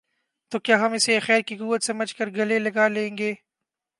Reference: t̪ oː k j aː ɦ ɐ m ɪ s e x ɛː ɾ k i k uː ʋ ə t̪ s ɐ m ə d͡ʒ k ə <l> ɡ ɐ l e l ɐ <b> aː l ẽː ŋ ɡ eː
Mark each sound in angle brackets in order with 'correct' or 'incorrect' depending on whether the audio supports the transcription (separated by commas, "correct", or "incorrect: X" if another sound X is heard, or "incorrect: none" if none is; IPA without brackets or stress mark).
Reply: incorrect: ɾ, incorrect: ɡ